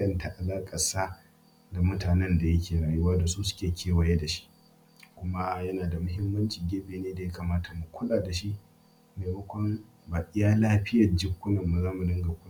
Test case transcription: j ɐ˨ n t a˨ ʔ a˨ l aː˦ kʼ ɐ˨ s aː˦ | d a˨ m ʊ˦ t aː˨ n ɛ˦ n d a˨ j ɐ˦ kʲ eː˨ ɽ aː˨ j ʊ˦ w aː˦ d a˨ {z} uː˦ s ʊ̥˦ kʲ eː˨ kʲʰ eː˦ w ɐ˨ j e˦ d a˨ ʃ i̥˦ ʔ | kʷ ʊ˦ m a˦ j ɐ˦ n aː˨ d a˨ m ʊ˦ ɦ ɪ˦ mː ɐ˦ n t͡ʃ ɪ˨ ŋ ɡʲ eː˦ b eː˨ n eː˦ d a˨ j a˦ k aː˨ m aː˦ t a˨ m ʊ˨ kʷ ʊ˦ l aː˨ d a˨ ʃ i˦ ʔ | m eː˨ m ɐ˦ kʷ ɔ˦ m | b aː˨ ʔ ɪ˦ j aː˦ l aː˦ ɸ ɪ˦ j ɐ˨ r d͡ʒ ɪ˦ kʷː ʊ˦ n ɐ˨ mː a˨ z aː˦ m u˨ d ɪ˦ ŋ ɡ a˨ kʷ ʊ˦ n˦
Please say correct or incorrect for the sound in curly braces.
incorrect